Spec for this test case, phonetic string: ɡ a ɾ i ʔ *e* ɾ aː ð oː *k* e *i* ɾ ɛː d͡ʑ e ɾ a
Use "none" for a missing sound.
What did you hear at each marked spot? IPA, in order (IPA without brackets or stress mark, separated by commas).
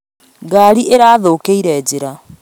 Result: e, k, i